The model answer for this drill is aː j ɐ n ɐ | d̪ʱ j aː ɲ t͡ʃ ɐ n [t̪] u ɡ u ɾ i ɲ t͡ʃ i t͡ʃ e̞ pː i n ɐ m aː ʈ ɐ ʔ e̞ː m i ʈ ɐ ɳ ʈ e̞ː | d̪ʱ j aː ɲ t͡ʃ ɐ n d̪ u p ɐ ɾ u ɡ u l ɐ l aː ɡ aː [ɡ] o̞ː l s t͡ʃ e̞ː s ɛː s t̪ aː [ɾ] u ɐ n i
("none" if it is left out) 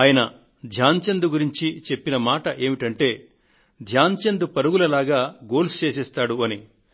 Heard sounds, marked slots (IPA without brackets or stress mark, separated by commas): d̪, ɡ, ɽ